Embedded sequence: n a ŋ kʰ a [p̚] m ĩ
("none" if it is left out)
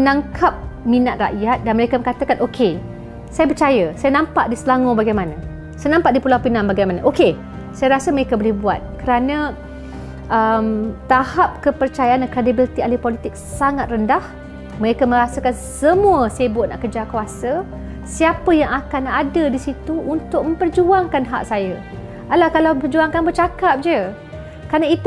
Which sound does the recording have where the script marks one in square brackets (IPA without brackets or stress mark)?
p̚